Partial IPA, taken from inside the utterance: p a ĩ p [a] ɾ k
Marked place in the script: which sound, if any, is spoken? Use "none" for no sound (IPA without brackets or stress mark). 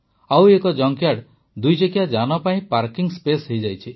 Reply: a